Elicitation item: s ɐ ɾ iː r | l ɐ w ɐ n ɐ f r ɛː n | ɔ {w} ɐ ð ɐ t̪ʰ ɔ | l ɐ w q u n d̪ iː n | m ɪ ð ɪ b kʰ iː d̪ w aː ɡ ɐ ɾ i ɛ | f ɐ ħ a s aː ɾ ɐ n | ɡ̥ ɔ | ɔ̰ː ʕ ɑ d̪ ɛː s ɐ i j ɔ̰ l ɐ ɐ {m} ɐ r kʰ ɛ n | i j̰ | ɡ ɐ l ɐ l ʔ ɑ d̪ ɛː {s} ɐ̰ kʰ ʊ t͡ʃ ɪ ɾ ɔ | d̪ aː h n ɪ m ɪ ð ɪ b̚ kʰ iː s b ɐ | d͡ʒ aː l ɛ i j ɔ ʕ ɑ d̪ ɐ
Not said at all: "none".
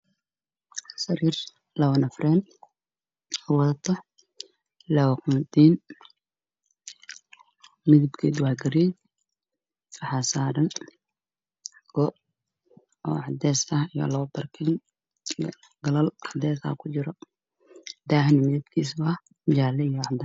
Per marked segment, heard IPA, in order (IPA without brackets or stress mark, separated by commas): w, b, s